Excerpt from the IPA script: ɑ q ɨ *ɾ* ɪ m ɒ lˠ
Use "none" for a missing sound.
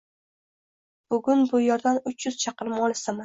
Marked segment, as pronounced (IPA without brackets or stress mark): ɾ